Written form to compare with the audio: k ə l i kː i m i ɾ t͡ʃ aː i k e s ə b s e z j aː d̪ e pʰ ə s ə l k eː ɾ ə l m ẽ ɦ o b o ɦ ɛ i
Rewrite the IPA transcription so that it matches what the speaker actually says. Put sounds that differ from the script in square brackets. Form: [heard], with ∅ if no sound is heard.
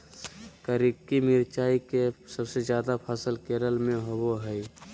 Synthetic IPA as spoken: k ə [ɾ] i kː i m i ɾ t͡ʃ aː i k e s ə b s e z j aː d̪ [a] pʰ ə s ə l k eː ɾ ə l m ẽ ɦ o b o ɦ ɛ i